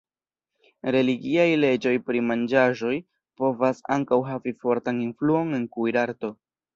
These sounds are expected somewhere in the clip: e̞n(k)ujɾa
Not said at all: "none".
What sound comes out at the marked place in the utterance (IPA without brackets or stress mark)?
k